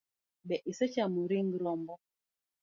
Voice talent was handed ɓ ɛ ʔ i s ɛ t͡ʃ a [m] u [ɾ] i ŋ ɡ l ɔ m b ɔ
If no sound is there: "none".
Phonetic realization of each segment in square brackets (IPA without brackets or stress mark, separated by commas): m, ɾ